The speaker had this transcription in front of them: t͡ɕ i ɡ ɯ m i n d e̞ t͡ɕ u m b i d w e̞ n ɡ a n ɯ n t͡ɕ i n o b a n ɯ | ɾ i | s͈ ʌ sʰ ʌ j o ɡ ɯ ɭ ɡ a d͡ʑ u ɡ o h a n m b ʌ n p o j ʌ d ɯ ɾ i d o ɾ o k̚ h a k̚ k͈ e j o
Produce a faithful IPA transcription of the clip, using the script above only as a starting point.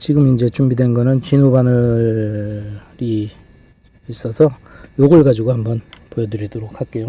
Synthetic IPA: t͡ɕ i ɡ ɯ m i n d͡ʑ e̞ t͡ɕ u m b i d w e̞ n ɡ ʌ n ɯ n t͡ɕ i n o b a n ɯ | ɾ i | s͈ ʌ sʰ ʌ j o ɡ ɯ ɭ ɡ a d͡ʑ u ɡ o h a m b ʌ n p o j ʌ d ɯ ɾ i d o ɾ o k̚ h a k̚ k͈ e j o

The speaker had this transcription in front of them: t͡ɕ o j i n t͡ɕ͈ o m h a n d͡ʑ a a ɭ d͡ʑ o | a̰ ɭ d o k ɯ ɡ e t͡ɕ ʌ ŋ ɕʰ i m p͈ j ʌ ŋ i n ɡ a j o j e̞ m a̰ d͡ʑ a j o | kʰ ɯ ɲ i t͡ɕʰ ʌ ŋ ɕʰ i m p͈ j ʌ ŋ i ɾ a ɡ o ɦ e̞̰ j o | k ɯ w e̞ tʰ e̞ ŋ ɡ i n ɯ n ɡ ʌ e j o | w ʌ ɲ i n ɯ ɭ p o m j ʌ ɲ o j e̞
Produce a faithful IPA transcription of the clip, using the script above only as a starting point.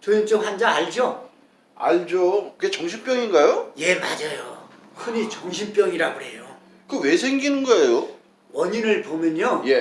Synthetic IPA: t͡ɕ o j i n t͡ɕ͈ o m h a n d͡ʑ a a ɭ d͡ʑ o | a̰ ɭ d͡ʑ o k ɯ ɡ e t͡ɕ ʌ ŋ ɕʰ i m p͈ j ʌ ŋ i n ɡ a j o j e̞ m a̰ d͡ʑ a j o | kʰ ɯ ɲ i t͡ɕ ʌ ŋ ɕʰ i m p͈ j ʌ ŋ i ɾ a ɡ o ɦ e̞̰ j o | k ɯ w e̞ sʰ e̞ ŋ ɡ i n ɯ n ɡ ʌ e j o | w ʌ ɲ i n ɯ ɭ p o m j ʌ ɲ o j e̞

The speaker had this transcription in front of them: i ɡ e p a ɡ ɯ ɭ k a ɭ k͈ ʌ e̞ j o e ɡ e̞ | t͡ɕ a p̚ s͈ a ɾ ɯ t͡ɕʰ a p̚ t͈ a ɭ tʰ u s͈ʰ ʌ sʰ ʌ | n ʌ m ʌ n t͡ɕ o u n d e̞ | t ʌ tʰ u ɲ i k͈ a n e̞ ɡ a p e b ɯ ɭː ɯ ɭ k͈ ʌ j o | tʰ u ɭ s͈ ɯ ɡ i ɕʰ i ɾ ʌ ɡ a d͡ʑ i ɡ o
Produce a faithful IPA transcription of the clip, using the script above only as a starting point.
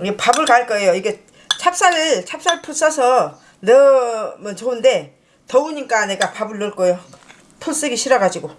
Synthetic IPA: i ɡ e p a b ɯ ɭ k a ɭ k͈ ʌ e̞ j o i ɡ e̞ | t͡ɕʰ a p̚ s͈ a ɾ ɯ t͡ɕʰ a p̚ s͈ a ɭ pʰ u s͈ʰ ʌ sʰ ʌ | n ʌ m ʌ n t͡ɕ o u n d e̞ | t ʌ u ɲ i k͈ a n e̞ ɡ a p a b ɯ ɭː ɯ ɭ k͈ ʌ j o | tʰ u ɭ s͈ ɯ ɡ i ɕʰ i ɾ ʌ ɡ a d͡ʑ i ɡ o

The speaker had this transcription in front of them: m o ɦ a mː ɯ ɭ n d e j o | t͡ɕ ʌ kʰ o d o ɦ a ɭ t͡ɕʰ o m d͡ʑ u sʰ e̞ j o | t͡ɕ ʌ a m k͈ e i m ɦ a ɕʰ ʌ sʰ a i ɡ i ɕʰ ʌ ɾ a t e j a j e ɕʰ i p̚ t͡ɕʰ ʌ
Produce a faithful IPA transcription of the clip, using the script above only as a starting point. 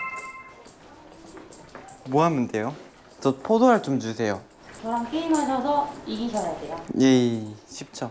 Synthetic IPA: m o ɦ a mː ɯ n d e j o | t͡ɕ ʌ pʰ o d o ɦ a ɭ t͡ɕ o m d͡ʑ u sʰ e̞ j o | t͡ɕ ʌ a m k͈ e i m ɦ a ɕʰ ʌ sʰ ʌ i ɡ i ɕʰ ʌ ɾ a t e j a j e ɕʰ i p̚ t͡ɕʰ ʌ

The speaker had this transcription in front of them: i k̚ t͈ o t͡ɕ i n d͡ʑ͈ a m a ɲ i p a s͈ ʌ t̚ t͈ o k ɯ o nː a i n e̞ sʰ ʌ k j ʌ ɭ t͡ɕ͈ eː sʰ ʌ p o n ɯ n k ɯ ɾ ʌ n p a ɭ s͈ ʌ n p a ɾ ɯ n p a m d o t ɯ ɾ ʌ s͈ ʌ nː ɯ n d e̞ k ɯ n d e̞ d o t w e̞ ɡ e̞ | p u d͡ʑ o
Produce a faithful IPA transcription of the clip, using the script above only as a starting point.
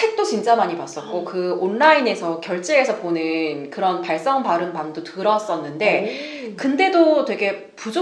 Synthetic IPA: e k̚ t͈ o t͡ɕ i n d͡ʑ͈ a m a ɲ i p a s͈ ʌ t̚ k͈ o k ɯ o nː a i n e̞ sʰ ʌ k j ʌ ɭ t͡ɕ͈ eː sʰ ʌ p o n ɯ n k ɯ ɾ ʌ n p a ɭ s͈ ʌ ŋ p a ɾ ɯ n p a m d o t ɯ ɾ ʌ s͈ ʌ nː ɯ n d e̞ k ɯ n d e̞ d o t w e̞ ɡ e̞ | p u d͡ʑ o

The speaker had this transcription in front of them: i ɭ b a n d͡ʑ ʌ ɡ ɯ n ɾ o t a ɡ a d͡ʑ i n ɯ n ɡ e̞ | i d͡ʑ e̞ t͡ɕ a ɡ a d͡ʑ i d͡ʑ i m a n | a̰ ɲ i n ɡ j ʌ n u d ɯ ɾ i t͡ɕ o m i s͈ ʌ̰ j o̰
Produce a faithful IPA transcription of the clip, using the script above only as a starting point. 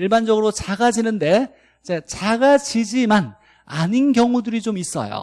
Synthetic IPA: i ɭ b a n d͡ʑ ʌ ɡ ɯ ɾ o t͡ɕ a ɡ a d͡ʑ i n ɯ n d e̞ | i d͡ʑ e̞ t͡ɕ a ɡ a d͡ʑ i d͡ʑ i m a n | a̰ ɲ i n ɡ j ʌ ŋ u d ɯ ɾ i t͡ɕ o m i s͈ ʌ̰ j o̰

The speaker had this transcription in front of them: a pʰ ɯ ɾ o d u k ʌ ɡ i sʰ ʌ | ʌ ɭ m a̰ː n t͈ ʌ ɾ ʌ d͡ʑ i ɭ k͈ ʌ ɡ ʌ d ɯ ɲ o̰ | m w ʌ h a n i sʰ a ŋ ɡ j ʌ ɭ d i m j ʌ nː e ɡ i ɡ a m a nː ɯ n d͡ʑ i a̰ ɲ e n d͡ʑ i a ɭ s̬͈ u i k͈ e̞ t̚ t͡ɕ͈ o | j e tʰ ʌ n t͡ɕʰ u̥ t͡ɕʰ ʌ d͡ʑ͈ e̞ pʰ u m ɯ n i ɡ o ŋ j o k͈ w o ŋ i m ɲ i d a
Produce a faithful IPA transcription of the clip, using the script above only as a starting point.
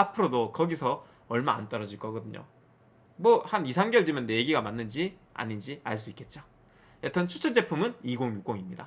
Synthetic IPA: a pʰ ɯ ɾ o d o k ʌ ɡ i sʰ ʌ | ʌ ɭ m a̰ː n t͈ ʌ ɾ ʌ d͡ʑ i ɭ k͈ ʌ ɡ ʌ d ɯ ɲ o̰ | m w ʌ h a n i sʰ a ŋ ɡ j ʌ ɭ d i m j ʌ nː e ɡ i ɡ a m a nː ɯ n d͡ʑ i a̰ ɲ i n d͡ʑ i a ɭ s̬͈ u i k͈ e̞ t̚ t͡ɕ͈ o | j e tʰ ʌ n t͡ɕʰ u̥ t͡ɕʰ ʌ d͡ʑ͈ e̞ pʰ u m ɯ n i ɡ o ŋ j u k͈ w o ŋ i m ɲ i d a

